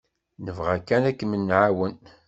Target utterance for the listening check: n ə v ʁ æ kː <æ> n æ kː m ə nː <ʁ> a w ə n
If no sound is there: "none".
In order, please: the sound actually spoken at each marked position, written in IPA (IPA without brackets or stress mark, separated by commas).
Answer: æ, ʕ